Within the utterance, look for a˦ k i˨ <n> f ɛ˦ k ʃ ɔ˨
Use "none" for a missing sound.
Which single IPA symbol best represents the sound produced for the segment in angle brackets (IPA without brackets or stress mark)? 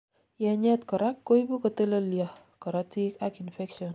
n